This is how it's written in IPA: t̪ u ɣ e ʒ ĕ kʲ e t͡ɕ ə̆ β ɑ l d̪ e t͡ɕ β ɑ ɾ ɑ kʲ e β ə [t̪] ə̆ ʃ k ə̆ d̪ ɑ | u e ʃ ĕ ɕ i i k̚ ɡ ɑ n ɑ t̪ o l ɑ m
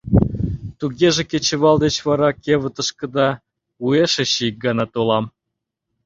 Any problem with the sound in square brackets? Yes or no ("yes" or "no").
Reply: no